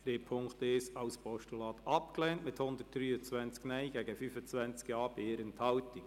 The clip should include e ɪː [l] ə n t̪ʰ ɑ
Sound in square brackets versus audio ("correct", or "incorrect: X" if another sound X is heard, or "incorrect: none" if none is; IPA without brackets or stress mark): incorrect: ɾ